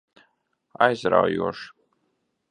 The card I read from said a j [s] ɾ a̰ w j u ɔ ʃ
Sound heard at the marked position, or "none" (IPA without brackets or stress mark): z